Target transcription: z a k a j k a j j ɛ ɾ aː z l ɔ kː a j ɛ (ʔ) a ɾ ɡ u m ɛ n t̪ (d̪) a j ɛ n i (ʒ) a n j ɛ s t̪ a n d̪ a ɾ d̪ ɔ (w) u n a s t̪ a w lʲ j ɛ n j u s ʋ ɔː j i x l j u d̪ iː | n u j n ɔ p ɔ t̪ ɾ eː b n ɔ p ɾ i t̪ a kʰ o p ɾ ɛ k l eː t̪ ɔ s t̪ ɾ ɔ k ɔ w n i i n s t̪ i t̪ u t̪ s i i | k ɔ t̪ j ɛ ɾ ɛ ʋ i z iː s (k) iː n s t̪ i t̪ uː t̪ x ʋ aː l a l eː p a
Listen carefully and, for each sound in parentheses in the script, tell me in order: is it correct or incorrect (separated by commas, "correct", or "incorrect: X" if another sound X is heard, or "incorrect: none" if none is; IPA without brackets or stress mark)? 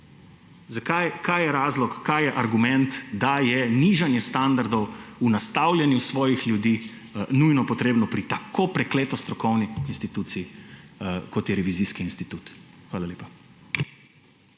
correct, correct, correct, correct, correct